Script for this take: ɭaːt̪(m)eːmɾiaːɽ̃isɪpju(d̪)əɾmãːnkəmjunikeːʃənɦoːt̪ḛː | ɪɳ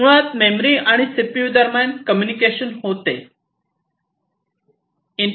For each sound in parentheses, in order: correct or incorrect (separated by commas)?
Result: correct, correct